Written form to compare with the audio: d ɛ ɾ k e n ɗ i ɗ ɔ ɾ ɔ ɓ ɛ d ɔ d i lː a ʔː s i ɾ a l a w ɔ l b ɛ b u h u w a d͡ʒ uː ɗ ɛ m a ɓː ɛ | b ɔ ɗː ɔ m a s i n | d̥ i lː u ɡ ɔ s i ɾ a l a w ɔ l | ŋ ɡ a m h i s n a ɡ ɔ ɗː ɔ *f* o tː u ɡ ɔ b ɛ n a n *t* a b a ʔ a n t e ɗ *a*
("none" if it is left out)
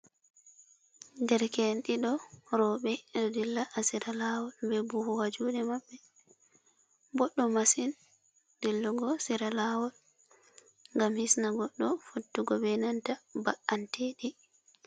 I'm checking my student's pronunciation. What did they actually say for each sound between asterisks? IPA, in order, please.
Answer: f, t, i

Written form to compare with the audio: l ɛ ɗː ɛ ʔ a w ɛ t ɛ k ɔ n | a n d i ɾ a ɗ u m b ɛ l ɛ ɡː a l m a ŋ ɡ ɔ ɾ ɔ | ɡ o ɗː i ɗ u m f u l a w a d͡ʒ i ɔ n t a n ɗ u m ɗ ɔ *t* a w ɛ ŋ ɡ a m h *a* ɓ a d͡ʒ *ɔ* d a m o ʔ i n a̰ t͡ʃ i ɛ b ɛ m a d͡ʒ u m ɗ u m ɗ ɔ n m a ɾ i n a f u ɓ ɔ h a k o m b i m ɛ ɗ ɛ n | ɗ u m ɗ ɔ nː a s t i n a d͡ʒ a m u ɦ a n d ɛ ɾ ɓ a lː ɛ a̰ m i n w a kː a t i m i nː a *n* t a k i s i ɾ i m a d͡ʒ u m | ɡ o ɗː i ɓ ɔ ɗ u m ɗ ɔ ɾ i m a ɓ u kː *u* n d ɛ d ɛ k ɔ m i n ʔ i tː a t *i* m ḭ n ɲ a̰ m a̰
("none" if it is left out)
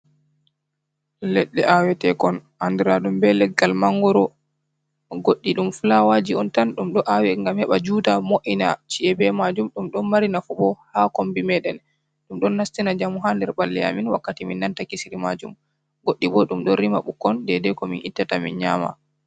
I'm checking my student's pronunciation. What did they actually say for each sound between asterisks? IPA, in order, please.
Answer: ʔ, ɛ, u, n, ɔ, a

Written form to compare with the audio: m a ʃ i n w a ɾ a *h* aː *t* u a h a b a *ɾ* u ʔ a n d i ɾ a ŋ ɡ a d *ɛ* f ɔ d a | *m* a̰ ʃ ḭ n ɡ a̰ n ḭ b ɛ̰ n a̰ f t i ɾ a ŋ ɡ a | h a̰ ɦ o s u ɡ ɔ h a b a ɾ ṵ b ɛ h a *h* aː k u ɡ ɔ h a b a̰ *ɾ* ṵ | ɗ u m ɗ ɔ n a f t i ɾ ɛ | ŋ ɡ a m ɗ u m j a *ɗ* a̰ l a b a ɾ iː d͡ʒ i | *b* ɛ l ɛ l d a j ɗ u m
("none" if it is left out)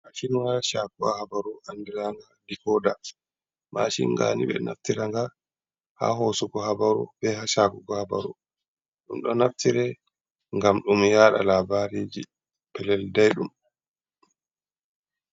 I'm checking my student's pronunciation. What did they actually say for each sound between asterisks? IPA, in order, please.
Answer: ʃ, k, ɾ, i, m, ʃ, ɾ, ɗ, p

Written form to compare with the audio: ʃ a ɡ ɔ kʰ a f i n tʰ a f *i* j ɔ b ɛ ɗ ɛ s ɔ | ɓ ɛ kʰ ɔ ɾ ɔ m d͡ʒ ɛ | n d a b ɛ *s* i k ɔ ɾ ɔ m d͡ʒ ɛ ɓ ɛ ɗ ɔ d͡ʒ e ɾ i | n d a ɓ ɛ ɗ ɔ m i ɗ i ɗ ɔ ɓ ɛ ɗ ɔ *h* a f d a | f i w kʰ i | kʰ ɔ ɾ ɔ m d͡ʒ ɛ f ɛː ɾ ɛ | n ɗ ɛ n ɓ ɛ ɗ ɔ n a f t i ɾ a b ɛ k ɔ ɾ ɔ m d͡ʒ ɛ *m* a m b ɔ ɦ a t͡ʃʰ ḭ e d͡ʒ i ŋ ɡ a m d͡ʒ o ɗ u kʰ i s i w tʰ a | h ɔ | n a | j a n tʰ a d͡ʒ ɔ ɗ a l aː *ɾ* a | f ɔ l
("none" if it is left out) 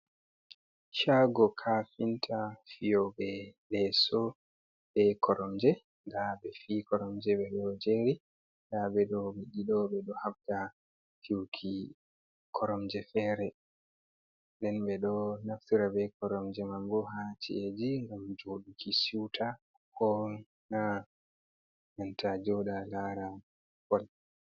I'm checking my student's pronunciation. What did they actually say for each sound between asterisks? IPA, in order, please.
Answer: i, f, h, m, ɾ

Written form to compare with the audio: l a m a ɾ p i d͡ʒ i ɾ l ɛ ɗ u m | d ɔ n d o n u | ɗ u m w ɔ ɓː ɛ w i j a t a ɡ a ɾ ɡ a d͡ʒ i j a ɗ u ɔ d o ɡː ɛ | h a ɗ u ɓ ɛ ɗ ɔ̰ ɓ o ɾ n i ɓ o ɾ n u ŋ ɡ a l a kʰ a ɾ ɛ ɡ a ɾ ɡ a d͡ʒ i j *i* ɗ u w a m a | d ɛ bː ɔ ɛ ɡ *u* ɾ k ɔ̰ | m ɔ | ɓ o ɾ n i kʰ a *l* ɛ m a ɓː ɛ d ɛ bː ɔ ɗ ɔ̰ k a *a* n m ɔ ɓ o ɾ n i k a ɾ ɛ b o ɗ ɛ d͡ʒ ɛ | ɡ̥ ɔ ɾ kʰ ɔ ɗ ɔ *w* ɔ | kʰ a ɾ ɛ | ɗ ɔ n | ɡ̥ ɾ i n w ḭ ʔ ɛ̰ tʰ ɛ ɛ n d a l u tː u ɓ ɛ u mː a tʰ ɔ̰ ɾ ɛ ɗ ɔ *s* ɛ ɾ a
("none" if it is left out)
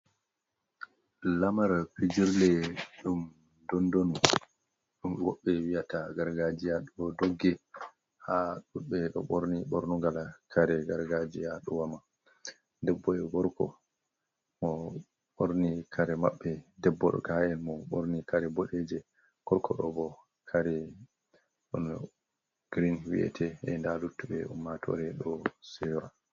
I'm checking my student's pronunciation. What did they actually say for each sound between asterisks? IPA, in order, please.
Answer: a, ɔ, ɾ, ɛ, b, s

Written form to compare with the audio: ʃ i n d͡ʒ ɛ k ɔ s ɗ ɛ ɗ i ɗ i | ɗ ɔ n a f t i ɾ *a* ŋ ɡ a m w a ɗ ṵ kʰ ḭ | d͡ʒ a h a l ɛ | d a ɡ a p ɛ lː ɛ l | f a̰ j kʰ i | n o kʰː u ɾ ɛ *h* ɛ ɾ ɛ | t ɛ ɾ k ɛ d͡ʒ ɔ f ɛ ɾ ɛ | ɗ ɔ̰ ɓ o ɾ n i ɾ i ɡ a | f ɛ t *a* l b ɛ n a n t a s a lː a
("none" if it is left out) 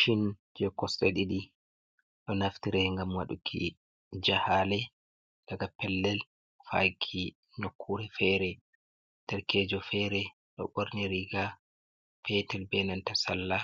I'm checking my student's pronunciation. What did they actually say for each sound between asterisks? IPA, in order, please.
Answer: ɛ, f, ɛ

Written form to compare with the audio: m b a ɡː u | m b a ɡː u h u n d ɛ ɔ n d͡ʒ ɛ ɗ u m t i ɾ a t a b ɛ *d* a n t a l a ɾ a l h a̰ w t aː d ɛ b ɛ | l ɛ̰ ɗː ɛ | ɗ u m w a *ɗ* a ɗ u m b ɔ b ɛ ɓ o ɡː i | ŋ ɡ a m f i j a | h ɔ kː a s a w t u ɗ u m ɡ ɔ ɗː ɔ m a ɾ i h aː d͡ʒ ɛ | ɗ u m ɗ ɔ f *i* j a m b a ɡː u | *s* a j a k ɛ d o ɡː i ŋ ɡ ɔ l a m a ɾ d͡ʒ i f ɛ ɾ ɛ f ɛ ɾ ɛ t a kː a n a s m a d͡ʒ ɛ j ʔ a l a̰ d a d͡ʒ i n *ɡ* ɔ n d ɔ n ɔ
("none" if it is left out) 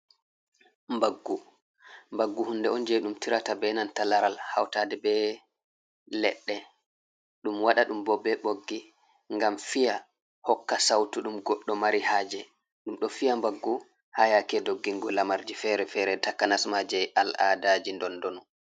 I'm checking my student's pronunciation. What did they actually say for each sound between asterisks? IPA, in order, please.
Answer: n, ɗ, i, h, d

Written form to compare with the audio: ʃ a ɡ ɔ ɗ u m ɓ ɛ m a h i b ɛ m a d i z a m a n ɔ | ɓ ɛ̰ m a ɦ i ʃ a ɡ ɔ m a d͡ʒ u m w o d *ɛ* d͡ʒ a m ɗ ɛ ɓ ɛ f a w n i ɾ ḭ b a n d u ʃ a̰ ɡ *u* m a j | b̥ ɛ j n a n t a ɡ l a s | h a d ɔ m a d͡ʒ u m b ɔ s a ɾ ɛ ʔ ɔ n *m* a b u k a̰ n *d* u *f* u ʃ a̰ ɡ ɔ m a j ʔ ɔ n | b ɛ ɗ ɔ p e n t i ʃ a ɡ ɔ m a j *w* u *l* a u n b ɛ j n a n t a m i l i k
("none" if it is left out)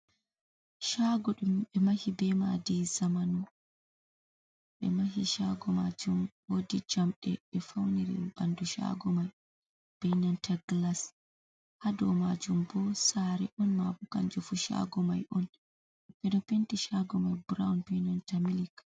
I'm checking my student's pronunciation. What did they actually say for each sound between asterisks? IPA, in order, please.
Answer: i, ɔ, m, d͡ʒ, f, b, ɾ

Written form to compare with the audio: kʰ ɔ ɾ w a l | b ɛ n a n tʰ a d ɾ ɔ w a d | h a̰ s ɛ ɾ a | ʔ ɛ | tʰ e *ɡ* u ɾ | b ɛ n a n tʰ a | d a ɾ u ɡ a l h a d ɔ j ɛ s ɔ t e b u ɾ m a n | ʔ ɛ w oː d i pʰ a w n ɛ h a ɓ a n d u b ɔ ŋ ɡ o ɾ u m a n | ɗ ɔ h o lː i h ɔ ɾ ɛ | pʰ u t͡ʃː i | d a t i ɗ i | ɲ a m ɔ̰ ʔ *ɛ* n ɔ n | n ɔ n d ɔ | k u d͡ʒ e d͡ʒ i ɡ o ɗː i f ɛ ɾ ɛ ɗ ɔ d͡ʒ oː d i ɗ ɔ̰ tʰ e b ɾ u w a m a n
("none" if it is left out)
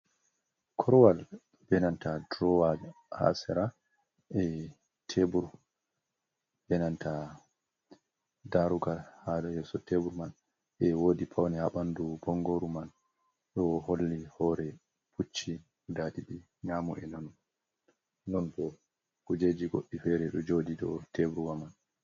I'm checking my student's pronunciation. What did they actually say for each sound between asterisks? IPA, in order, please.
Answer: b, ɛ

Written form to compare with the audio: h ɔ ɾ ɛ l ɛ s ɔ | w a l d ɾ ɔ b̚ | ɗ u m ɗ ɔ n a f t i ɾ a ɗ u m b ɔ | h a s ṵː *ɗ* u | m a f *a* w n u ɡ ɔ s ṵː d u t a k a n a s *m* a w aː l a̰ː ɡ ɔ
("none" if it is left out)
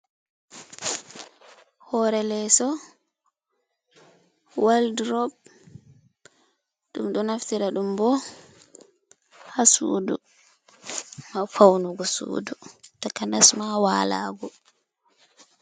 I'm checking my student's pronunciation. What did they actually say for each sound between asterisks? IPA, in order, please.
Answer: d, a, m

